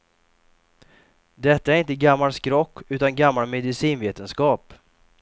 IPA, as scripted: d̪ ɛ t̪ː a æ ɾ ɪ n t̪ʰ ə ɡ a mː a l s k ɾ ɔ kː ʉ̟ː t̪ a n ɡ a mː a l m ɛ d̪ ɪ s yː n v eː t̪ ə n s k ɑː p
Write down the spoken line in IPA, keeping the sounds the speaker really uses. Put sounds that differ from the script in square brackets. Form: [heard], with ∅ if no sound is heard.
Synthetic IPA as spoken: d̪ ɛ t̪ː a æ ɾ ɪ n [t̪] ə ɡ a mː a l s k ɾ ɔ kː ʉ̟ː t̪ a n ɡ a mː a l m ɛ d̪ ɪ s [iː] n v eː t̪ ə n s k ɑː p